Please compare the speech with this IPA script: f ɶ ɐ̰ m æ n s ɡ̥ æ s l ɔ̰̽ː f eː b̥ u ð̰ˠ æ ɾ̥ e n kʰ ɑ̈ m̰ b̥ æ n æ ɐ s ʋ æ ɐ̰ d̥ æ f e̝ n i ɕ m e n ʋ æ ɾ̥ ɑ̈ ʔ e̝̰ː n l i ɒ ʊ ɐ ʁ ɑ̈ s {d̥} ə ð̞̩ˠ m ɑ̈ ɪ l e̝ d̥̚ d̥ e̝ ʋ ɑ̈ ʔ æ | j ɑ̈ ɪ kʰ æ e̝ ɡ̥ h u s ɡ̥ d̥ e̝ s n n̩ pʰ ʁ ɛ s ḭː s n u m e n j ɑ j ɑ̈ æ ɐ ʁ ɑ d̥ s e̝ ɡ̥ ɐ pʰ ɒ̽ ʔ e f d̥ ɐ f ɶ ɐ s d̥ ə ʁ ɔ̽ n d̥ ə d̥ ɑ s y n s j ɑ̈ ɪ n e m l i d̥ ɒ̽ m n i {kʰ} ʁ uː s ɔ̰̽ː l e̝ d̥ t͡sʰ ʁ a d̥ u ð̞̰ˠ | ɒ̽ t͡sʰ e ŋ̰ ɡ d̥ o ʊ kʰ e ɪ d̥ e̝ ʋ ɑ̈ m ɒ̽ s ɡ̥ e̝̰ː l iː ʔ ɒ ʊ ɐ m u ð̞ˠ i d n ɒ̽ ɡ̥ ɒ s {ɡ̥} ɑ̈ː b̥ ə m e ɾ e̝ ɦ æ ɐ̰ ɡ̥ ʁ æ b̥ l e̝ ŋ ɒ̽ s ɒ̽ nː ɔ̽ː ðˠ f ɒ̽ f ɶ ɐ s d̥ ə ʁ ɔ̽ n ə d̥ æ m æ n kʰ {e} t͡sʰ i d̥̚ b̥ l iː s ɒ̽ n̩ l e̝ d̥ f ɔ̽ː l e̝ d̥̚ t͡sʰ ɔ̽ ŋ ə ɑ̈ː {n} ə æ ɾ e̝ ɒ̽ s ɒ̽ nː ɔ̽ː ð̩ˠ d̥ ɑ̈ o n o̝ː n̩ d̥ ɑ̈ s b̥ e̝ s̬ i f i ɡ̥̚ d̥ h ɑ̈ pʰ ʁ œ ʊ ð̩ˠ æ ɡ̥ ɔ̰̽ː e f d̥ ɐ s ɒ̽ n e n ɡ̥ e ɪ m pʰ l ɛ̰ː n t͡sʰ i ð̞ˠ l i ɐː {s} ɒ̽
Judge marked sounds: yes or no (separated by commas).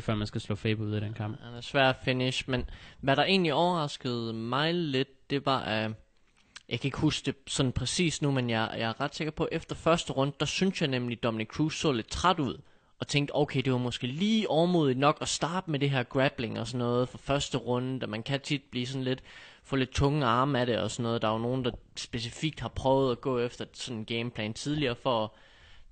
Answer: no, yes, no, no, no, no